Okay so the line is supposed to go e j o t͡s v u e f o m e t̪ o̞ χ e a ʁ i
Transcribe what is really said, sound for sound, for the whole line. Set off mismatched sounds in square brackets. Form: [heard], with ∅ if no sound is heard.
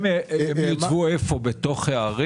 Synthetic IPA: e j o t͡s v u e f o [b] e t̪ o̞ χ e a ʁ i